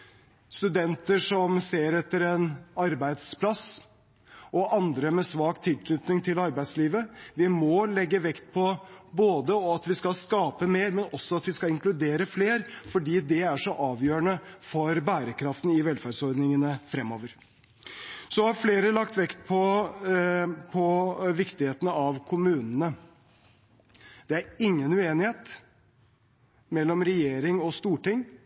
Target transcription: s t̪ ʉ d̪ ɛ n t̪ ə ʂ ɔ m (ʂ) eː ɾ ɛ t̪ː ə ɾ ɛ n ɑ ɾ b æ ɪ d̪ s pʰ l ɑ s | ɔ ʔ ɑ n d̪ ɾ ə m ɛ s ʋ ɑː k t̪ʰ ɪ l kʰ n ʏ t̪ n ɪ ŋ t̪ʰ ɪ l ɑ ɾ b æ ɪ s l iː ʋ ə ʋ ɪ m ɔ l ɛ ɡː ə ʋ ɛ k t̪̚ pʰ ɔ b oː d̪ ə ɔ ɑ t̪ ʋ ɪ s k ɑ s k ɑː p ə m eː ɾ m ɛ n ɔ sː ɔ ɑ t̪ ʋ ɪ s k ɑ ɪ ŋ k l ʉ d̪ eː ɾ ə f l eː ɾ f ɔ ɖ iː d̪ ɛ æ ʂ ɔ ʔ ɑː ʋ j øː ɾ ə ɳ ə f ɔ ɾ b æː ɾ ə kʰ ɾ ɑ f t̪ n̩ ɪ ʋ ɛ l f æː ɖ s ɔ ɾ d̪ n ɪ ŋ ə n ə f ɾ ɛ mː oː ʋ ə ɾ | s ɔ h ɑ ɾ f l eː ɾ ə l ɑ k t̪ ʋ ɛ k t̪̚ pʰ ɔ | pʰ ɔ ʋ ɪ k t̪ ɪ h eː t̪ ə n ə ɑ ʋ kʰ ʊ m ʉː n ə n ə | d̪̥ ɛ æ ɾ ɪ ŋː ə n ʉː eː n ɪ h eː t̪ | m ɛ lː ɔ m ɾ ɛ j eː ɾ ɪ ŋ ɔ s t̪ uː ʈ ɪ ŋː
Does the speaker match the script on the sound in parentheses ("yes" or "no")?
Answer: no